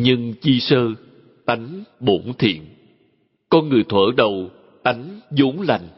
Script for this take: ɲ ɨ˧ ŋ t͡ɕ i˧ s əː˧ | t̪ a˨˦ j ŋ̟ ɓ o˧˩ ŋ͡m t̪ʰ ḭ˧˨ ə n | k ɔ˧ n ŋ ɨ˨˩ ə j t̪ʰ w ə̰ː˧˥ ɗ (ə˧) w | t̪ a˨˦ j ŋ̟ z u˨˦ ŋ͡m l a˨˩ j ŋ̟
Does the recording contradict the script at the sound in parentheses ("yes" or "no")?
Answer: yes